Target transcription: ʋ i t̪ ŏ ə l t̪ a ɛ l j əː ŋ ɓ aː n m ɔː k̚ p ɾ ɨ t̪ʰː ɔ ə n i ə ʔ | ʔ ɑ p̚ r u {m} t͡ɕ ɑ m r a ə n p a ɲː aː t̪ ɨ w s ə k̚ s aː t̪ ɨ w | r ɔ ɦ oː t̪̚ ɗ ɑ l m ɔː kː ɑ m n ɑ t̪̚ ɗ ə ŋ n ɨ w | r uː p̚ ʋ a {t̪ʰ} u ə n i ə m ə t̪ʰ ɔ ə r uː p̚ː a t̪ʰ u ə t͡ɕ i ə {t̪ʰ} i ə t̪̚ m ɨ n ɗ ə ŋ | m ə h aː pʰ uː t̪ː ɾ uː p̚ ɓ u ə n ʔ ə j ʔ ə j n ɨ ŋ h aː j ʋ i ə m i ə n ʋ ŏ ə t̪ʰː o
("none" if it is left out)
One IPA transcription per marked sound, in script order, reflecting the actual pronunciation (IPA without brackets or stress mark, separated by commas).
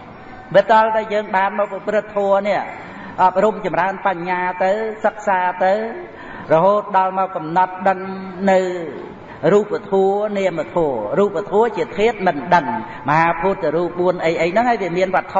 m, t̪ʰ, t̪ʰ